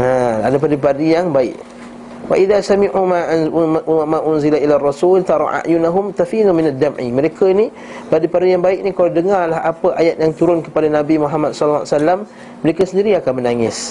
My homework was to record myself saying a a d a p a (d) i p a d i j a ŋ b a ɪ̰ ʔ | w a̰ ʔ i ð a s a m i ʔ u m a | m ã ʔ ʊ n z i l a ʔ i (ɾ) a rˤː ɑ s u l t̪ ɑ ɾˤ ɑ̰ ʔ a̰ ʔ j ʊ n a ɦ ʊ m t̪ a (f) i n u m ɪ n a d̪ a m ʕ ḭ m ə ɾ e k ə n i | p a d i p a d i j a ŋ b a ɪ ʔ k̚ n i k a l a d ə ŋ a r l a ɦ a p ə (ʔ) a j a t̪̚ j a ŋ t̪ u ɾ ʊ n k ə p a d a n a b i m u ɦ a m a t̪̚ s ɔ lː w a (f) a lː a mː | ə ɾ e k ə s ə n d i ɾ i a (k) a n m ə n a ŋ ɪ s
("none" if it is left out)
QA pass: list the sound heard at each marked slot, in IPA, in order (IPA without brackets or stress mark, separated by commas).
d, l, f, ʔ, s, k